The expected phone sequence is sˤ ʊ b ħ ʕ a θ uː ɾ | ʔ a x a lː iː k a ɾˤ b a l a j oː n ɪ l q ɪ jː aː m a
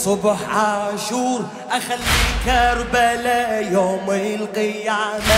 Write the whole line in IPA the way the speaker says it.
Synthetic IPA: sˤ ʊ b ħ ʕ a ʃ uː ɾ | ʔ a x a lː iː k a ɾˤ b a l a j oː m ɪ l q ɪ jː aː m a